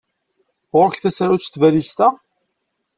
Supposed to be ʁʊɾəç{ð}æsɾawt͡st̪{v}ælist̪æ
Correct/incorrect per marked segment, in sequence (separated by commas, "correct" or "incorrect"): incorrect, correct